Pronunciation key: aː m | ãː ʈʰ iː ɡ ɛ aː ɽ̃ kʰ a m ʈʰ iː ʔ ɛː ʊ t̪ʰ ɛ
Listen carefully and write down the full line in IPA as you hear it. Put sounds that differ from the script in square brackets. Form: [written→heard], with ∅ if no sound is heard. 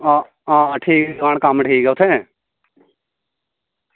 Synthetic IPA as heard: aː [m→∅] | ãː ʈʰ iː [ɡ→k] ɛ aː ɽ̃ [kʰ→k] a m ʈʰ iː [ʔ→k] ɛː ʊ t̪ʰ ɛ